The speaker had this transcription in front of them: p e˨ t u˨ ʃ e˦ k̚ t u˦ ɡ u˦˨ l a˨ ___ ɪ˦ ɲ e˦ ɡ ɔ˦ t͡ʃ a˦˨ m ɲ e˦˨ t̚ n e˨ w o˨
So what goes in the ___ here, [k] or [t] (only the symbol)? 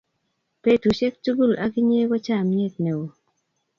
k